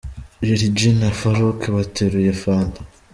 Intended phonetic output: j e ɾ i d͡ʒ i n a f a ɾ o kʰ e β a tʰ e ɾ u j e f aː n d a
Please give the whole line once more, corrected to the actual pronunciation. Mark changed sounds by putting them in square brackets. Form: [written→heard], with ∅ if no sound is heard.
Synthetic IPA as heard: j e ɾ i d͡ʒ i n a f a ɾ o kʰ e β a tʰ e ɾ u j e f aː n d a